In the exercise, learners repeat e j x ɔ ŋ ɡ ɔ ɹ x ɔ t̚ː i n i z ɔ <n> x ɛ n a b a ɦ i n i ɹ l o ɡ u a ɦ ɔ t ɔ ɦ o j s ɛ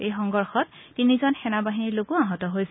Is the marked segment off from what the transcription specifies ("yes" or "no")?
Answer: no